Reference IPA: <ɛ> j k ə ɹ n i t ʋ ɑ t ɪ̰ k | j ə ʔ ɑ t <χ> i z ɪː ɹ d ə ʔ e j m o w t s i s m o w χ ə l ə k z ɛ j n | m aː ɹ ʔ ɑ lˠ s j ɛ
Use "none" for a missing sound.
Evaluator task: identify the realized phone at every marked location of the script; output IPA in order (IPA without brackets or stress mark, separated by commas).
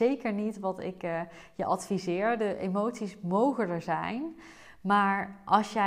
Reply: e, f